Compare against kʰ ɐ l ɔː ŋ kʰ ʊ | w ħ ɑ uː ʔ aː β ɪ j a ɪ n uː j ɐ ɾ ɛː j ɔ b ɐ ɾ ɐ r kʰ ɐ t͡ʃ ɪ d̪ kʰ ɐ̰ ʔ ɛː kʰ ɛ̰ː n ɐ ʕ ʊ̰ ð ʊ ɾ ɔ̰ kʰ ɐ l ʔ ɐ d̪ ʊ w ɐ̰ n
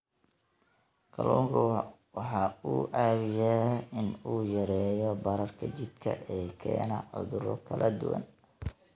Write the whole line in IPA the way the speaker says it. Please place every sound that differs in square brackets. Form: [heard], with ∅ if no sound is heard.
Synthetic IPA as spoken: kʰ ɐ l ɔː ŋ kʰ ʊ | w ħ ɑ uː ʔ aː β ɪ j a ɪ n uː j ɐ ɾ ɛː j ɔ b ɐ ɾ ɐ r kʰ ɐ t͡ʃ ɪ d̪ kʰ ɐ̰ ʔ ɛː kʰ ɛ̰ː n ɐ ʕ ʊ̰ ð ʊ ɾ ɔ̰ kʰ ɐ l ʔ ɐ d̪ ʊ w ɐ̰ n